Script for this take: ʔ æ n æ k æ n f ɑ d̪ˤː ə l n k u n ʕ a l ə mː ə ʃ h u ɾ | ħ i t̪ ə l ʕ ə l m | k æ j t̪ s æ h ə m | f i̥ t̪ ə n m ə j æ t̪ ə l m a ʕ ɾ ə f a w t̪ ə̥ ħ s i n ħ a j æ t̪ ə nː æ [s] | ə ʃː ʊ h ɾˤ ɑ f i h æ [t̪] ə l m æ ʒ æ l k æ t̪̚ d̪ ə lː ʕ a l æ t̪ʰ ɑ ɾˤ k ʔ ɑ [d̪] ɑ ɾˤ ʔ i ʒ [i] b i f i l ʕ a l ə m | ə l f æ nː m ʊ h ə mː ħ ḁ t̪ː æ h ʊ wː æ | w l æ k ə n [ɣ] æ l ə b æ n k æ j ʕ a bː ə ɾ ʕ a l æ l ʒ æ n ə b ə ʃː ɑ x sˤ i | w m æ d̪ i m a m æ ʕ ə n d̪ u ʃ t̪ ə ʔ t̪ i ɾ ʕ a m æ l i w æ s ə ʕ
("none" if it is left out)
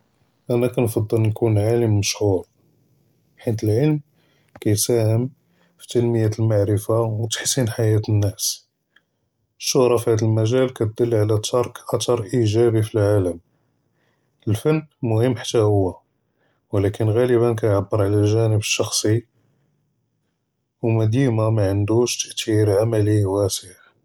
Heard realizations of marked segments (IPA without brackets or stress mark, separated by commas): s, d̪, t̪, æ, ɣ